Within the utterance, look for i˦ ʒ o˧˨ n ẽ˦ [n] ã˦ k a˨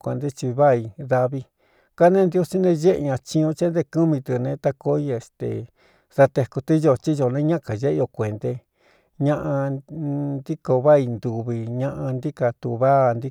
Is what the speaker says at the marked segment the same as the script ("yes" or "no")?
no